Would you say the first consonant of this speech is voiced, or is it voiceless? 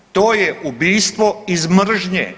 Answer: voiceless